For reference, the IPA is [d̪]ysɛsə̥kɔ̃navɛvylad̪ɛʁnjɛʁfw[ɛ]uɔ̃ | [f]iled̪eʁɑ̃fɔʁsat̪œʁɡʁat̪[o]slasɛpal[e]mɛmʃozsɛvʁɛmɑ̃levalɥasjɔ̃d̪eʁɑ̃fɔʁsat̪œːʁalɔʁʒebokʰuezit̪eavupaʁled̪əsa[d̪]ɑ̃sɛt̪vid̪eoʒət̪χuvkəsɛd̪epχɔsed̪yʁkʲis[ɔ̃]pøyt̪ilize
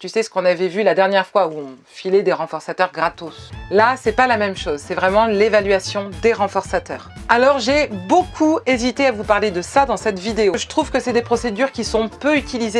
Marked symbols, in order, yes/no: no, no, yes, yes, no, yes, yes

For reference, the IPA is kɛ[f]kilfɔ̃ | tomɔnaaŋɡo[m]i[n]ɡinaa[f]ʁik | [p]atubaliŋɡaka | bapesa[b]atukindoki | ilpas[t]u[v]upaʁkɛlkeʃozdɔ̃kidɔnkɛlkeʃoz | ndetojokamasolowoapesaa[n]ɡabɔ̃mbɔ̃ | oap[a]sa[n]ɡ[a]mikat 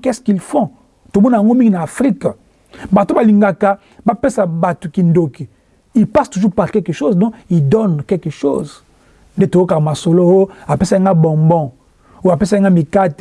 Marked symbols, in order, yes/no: no, yes, no, yes, no, yes, yes, no, no, no, no, yes

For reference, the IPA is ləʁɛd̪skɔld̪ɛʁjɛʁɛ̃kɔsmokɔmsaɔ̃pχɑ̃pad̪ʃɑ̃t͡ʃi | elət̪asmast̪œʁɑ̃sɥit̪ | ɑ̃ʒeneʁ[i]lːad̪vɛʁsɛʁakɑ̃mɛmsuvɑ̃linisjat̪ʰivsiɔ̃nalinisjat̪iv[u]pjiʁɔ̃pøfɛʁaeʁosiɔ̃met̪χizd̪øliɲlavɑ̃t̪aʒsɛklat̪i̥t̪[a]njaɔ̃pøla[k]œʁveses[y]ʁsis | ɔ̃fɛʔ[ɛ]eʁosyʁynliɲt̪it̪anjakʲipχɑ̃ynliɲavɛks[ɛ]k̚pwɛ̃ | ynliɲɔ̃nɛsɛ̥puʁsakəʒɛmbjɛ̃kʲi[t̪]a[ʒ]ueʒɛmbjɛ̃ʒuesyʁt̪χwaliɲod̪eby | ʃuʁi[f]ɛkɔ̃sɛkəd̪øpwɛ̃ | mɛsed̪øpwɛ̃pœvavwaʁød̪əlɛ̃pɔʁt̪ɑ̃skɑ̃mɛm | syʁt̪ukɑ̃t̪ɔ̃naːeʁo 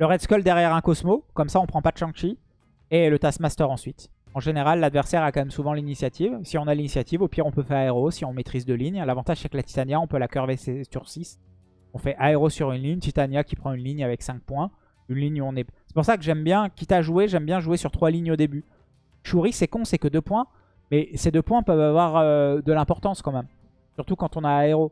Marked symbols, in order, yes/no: no, no, yes, yes, yes, no, no, yes, yes, no

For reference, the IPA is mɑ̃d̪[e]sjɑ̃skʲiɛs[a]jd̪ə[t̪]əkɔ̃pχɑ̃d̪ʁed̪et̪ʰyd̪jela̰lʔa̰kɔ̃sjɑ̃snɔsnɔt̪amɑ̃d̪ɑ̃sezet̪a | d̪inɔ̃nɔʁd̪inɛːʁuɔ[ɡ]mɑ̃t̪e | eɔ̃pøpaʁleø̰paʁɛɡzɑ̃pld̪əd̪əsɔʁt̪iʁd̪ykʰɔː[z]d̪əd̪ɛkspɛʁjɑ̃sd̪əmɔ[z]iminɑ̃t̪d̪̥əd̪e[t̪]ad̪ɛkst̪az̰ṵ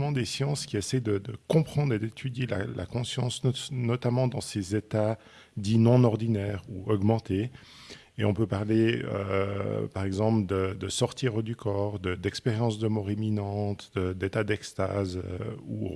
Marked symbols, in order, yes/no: yes, no, no, yes, no, no, yes

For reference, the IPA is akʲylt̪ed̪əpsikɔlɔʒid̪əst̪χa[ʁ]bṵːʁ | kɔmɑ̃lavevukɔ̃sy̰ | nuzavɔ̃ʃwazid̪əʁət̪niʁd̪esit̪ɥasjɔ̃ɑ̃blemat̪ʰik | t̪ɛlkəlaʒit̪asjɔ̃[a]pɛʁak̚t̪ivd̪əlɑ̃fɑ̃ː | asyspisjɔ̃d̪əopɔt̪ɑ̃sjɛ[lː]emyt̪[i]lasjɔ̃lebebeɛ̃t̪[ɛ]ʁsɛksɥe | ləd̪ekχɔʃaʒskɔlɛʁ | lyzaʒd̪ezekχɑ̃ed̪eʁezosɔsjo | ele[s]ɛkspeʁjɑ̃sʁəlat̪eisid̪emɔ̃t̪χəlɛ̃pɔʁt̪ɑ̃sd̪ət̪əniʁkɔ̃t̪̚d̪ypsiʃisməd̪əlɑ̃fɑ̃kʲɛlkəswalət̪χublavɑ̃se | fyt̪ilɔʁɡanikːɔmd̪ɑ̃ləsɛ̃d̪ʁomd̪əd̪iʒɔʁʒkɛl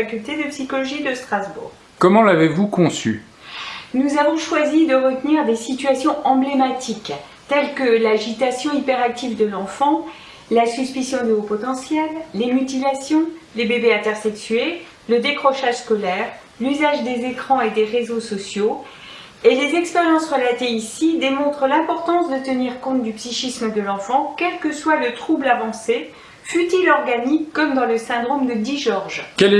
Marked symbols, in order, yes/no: no, no, yes, yes, yes, no

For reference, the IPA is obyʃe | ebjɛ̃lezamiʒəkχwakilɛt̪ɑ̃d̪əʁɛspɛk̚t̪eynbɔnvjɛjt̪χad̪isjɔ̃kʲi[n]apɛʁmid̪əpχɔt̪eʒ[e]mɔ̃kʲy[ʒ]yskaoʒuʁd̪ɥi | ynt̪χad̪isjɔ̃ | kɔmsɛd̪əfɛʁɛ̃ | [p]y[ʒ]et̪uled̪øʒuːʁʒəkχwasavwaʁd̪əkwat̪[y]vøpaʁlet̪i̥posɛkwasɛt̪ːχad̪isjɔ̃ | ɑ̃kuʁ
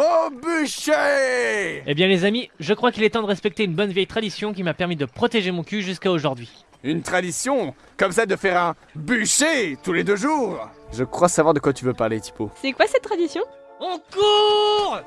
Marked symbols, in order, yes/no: no, yes, yes, no, no, yes

